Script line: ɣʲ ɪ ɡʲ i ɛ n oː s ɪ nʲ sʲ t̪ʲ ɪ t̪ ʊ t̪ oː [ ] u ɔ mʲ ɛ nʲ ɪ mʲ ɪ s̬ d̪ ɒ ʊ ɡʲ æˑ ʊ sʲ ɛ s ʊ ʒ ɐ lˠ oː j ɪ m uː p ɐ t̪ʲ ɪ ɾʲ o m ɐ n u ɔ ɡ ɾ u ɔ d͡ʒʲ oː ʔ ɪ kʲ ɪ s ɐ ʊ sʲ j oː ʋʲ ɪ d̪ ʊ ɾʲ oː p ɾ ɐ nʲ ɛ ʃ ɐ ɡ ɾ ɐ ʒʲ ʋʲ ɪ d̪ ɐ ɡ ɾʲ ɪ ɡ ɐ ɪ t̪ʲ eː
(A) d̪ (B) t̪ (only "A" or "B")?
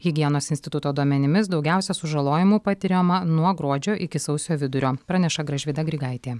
A